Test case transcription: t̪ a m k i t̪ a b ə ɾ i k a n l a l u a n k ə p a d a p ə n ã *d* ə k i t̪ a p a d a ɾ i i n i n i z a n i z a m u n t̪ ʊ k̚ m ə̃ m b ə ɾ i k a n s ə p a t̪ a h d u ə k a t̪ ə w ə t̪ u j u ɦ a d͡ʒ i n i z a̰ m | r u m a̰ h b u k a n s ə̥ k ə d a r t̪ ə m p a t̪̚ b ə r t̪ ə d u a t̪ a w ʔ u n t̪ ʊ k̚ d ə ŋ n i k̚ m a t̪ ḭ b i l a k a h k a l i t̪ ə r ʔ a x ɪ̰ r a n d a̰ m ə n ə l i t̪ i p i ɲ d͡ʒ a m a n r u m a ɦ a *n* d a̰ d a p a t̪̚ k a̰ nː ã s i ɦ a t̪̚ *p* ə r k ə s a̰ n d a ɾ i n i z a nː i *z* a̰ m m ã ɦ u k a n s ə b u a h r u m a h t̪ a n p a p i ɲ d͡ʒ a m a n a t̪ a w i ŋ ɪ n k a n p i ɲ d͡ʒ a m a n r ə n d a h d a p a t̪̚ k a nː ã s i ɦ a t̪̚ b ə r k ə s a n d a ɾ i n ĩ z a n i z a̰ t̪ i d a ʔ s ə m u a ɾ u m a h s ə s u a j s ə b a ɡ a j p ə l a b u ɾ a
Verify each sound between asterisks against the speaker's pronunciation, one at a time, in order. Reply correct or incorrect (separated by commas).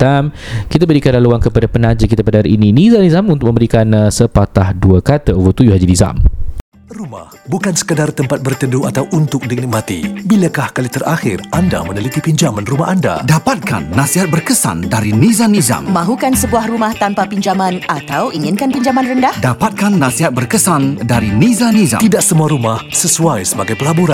incorrect, correct, incorrect, correct